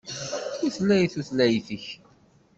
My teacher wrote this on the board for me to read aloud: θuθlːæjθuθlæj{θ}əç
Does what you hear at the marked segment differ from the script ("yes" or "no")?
no